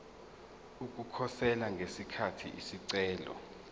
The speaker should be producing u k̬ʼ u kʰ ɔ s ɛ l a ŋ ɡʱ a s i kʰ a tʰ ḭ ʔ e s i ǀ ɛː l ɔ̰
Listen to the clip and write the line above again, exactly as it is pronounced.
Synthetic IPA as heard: u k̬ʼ u kʰ ɔ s ɛ l a ŋ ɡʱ e s i kʰ a tʰ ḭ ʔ i s i ǀ ɛː l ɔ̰